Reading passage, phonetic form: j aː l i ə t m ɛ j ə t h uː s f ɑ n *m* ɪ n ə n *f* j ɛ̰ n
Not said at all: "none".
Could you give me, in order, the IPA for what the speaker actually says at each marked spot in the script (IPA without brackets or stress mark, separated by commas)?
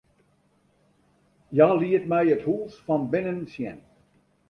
b, s